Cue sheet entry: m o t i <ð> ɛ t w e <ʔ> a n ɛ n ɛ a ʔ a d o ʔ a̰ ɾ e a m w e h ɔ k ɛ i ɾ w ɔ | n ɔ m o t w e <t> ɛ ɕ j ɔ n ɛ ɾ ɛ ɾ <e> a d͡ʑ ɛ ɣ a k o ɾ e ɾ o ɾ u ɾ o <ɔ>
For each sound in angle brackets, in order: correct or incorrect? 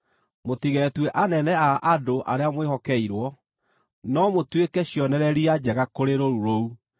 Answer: incorrect: ɣ, correct, incorrect: k, incorrect: i, incorrect: u

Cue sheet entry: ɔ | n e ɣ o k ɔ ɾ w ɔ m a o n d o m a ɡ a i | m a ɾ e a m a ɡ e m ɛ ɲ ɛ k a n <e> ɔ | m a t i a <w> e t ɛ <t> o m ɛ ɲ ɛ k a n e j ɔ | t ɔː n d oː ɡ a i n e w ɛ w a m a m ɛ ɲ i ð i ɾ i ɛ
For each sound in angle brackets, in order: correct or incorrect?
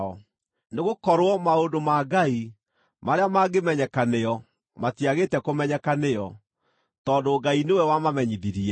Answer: correct, incorrect: ɣ, incorrect: k

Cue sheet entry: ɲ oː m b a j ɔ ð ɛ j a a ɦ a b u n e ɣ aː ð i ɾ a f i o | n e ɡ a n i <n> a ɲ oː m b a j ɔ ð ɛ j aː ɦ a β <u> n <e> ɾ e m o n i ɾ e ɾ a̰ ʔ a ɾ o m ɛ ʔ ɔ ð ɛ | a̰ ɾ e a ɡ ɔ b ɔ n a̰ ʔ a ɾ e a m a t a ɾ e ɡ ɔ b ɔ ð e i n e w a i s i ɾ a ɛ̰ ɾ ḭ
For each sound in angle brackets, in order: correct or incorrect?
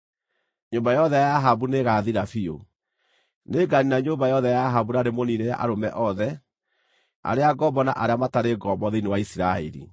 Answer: correct, correct, incorrect: a

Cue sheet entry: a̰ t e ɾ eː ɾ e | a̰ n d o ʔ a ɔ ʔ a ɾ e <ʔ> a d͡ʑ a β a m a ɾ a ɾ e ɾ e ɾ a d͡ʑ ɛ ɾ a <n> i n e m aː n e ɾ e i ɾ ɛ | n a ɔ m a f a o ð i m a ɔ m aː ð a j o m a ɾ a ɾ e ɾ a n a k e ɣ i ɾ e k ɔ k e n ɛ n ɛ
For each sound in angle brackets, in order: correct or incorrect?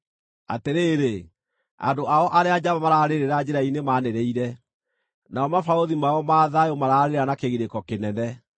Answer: incorrect: none, incorrect: none

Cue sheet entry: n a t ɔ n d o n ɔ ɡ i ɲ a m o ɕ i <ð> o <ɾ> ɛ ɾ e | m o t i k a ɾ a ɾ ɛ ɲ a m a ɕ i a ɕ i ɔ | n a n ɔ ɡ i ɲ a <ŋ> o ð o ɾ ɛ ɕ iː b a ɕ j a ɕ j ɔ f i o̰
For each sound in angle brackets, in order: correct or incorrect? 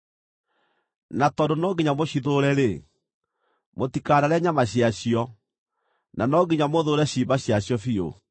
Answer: correct, correct, incorrect: m

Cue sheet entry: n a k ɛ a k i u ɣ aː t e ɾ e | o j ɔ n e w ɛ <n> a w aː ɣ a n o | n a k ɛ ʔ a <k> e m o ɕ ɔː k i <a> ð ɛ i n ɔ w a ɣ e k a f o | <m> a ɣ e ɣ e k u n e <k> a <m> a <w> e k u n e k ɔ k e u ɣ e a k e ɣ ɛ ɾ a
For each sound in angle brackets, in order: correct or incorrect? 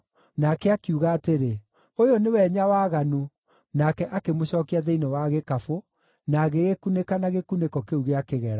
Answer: incorrect: ɲ, correct, correct, incorrect: n, correct, incorrect: n, incorrect: ɣ

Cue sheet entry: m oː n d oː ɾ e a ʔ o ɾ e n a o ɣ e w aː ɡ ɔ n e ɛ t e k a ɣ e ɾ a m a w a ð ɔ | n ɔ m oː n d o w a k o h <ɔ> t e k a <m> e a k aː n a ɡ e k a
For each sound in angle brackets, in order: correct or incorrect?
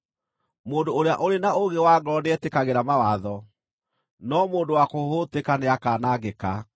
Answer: incorrect: o, incorrect: n

